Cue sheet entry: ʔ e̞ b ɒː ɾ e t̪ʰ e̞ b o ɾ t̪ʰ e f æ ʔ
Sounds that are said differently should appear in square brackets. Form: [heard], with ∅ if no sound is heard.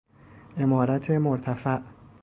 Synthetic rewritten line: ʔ e̞ [m] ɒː ɾ [æ] t̪ʰ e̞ [m] o ɾ t̪ʰ [æ] f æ ʔ

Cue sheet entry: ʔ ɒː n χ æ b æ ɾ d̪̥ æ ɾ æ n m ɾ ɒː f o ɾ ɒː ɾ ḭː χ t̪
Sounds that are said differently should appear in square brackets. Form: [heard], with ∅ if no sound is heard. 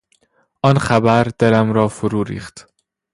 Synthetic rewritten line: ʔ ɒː n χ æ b æ ɾ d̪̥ [e] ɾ æ [∅] m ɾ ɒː f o ɾ [uː] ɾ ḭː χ t̪

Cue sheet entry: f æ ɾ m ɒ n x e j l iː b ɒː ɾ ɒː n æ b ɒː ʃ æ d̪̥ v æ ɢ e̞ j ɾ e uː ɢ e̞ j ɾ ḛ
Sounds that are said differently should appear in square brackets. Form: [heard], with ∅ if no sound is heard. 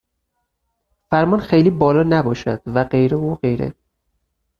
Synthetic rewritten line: f æ ɾ m ɒ n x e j l iː b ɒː [l] ɒː n æ b ɒː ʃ æ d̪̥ v æ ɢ e̞ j ɾ e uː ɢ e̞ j ɾ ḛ

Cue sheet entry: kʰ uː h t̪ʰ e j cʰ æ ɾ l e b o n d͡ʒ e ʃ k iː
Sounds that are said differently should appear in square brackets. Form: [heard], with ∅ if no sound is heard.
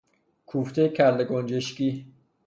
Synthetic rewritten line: kʰ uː [f] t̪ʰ e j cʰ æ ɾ l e [ɡ] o n d͡ʒ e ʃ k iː

